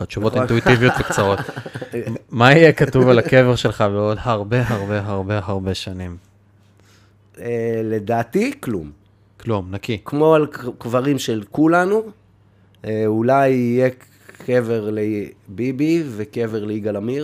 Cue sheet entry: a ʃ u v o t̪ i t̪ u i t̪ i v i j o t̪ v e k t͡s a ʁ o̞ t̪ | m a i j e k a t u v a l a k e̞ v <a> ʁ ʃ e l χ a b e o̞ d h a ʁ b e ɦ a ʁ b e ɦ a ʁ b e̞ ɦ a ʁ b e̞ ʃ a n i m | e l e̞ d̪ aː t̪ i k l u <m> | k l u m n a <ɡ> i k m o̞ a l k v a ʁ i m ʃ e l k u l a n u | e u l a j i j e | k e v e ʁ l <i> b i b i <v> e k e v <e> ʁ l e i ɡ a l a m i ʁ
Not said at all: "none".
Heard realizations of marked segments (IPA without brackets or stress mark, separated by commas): e, m, k, e, v, e